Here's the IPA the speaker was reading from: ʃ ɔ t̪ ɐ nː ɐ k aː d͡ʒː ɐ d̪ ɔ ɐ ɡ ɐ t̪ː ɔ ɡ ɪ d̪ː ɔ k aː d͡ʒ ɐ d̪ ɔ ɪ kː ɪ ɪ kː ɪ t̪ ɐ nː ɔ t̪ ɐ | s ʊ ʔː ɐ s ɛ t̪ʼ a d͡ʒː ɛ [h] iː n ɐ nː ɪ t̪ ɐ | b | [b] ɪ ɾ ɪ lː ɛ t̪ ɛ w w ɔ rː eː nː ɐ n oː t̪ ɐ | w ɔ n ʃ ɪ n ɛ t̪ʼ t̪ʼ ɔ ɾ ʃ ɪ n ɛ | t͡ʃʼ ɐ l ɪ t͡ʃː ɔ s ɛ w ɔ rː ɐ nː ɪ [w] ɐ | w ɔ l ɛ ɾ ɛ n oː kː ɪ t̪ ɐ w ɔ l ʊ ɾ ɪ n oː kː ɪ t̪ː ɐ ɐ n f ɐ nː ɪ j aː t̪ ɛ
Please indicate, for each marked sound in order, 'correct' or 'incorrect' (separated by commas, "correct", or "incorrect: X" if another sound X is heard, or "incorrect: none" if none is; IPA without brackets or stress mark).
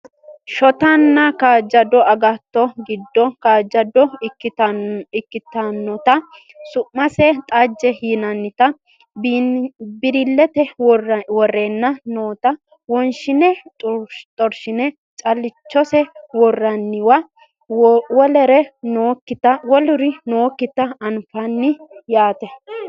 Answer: correct, correct, correct